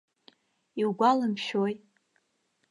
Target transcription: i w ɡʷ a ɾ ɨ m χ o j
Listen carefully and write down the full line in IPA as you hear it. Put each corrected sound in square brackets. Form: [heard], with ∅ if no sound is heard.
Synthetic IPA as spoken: i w ɡʷ a [l] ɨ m [ʃ] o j